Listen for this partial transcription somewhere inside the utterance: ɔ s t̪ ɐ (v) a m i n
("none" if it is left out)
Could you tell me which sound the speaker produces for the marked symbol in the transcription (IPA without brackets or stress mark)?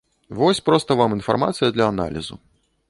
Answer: v